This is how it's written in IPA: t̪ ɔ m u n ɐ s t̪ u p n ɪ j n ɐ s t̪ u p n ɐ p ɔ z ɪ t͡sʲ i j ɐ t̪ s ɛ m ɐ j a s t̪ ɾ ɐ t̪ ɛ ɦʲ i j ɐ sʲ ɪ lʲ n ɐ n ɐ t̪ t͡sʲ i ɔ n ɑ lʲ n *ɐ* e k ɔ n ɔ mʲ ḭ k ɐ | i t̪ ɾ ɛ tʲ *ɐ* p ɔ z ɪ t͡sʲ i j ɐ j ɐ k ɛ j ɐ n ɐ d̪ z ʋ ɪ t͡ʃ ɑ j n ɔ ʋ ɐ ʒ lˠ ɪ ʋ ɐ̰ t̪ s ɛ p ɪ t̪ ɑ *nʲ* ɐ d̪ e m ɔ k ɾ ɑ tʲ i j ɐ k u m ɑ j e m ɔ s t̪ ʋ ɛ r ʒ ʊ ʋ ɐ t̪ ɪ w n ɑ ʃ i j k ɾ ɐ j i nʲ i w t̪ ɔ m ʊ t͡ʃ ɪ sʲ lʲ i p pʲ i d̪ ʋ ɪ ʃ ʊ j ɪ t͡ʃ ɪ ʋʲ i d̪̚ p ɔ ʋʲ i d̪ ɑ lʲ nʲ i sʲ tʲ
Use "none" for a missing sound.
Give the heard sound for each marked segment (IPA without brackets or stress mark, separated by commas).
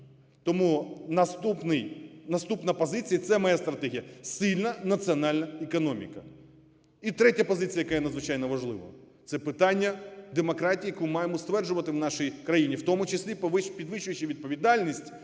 ɐ, ɐ, nʲː